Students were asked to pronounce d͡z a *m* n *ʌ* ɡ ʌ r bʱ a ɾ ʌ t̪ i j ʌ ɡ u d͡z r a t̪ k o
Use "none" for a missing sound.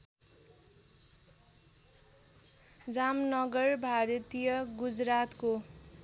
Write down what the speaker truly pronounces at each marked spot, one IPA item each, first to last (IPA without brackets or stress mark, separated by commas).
m, ʌ